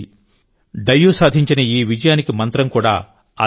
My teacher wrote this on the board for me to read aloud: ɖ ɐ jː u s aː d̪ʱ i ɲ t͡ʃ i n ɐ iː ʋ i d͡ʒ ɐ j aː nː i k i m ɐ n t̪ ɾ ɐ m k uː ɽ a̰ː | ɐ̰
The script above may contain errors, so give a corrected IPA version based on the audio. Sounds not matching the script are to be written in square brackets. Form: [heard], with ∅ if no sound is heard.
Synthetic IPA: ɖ ɐ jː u s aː d̪ʱ i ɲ t͡ʃ i n ɐ iː ʋ i d͡ʒ ɐ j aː [n] i k i m ɐ n t̪ ɾ ɐ m k uː ɽ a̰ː | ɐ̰